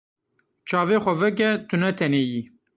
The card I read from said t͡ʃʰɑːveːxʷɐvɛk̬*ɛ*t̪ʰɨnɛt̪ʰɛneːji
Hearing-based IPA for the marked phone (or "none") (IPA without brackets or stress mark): ɛ